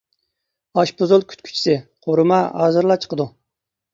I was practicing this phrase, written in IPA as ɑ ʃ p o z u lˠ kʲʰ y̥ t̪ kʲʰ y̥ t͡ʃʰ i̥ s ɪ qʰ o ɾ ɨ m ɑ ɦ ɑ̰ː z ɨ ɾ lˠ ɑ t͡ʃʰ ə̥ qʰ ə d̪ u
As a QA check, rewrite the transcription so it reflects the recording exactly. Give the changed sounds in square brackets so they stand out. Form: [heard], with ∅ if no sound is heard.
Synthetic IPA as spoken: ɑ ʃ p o z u lˠ kʲʰ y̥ t̪ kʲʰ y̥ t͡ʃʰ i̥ s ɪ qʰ o ɾ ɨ m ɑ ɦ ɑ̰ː z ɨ ɾ lˠ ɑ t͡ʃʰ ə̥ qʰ ə d̪ u